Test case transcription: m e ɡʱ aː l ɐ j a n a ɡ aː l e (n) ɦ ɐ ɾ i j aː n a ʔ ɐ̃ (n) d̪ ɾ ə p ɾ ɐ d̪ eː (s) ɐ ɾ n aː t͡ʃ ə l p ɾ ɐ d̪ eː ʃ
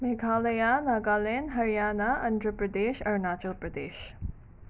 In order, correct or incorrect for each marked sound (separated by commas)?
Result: correct, correct, incorrect